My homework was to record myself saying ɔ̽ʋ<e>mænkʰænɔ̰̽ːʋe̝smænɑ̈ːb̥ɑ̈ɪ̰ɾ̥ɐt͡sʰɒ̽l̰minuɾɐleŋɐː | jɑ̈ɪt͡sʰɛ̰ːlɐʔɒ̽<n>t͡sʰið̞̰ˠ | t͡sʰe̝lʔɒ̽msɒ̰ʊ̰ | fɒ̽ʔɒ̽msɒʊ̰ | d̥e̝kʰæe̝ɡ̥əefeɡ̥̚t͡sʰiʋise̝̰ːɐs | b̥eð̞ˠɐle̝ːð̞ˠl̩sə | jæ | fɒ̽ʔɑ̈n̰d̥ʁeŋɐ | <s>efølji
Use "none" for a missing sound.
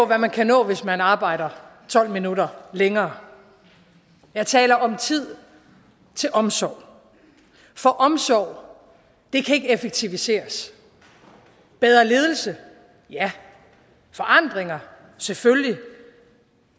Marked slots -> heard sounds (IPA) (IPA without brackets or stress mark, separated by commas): æ, m, s